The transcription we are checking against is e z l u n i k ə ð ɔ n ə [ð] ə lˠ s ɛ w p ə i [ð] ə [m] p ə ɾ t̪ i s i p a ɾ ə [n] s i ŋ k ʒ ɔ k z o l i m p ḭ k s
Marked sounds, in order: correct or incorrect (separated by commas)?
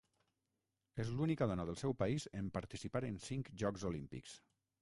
correct, incorrect, correct, correct